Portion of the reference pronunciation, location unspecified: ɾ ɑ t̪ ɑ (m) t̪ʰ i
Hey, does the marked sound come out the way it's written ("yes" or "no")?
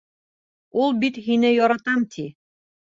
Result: yes